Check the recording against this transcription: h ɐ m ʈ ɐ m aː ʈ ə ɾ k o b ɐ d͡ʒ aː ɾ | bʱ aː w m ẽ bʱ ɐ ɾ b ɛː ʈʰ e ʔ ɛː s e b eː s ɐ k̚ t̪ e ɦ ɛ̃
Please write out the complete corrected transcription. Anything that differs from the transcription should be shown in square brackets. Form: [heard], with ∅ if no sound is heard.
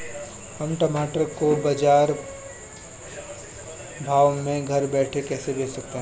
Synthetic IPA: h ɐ m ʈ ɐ m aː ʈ ə ɾ k o b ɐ d͡ʒ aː ɾ | bʱ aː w m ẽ [ɡʱ] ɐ ɾ b ɛː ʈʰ e [k] ɛː s e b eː s ɐ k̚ t̪ e ɦ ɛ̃